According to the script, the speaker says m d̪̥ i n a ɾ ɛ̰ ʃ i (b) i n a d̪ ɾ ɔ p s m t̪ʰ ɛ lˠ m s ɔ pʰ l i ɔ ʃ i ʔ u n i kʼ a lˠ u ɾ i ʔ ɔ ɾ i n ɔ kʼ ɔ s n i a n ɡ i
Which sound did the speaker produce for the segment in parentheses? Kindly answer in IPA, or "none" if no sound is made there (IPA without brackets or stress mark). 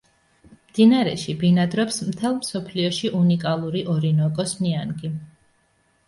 b